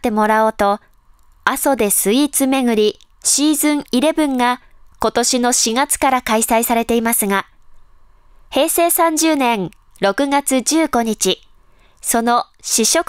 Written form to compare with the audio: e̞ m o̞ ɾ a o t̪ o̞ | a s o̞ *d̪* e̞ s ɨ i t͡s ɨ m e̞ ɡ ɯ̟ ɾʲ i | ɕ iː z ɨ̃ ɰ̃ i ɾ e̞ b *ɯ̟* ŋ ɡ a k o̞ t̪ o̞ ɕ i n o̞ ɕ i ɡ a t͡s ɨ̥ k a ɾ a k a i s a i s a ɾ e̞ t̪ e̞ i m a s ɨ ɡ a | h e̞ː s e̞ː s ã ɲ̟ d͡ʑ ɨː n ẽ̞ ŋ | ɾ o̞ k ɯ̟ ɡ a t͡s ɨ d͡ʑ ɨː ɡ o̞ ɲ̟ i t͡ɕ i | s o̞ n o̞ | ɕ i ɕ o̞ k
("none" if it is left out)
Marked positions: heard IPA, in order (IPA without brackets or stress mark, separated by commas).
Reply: d̪, ɯ̟̃